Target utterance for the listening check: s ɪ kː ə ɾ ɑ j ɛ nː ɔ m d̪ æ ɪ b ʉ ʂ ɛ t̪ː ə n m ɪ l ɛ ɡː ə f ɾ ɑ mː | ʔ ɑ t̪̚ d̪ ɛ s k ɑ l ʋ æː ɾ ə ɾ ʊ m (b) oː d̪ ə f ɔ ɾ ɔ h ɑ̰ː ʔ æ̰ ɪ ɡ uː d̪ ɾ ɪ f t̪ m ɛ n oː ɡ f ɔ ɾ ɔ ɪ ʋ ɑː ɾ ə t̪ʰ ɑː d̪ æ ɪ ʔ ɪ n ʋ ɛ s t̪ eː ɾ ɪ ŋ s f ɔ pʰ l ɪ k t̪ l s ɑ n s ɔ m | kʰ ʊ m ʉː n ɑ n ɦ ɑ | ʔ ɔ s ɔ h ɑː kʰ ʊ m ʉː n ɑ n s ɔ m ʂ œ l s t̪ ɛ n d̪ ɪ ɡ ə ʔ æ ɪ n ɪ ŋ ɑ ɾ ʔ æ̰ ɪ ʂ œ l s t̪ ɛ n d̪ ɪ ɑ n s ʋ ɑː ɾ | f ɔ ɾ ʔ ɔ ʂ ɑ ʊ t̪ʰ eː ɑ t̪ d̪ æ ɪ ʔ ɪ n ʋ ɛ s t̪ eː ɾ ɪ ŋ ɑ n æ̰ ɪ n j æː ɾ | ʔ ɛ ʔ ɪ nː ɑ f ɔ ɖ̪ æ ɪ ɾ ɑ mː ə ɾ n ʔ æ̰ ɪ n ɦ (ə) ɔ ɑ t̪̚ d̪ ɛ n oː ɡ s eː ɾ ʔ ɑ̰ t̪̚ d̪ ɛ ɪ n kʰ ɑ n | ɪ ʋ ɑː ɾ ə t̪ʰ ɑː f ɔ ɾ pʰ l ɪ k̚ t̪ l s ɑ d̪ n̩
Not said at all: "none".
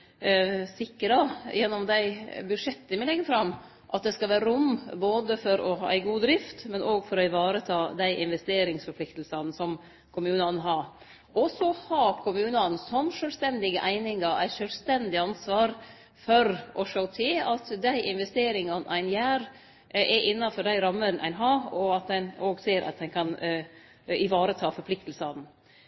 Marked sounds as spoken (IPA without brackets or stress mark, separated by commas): b, ɑ